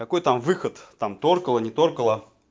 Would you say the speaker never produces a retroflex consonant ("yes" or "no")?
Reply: yes